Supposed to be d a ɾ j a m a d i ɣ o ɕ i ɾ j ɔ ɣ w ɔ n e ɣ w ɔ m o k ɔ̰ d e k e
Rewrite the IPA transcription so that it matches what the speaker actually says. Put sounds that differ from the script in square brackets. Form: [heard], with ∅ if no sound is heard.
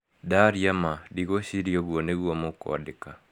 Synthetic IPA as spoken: d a ɾ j a m a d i ɣ o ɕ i ɾ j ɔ ɣ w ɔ n e ɣ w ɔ m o k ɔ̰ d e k [a]